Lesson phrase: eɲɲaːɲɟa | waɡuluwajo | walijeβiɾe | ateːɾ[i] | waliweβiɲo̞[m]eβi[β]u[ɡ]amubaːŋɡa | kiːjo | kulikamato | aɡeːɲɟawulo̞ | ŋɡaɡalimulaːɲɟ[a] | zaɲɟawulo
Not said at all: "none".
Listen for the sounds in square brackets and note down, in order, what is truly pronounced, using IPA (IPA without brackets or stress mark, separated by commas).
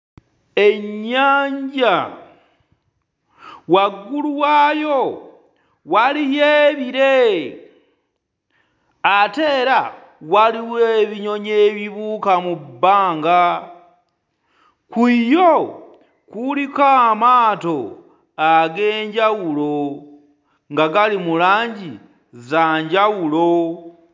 a, ɲ, β, k, i